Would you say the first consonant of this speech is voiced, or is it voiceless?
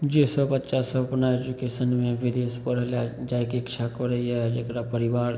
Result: voiced